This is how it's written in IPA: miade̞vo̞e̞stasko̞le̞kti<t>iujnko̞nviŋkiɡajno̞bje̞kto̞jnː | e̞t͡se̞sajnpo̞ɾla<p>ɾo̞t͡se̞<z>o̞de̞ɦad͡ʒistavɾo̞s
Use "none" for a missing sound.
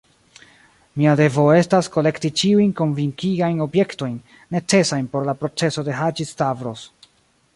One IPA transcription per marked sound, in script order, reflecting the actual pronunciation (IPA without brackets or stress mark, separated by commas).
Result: t͡ʃ, p, s